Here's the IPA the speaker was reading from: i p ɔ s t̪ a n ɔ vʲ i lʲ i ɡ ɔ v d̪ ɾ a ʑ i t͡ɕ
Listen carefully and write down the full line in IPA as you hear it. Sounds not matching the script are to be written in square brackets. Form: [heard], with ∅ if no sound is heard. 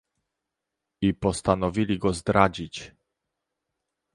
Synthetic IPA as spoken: i p ɔ s t̪ a n ɔ vʲ i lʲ i ɡ ɔ [z] d̪ ɾ a [d͡ʑ] i t͡ɕ